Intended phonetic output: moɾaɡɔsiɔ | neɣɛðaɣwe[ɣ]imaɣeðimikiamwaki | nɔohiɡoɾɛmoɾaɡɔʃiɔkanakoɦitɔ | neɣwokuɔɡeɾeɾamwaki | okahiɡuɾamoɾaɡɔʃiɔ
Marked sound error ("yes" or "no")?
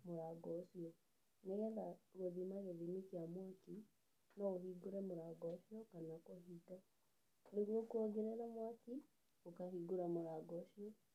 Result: yes